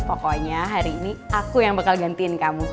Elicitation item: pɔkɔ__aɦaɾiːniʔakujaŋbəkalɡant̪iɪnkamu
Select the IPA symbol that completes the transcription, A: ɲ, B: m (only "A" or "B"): A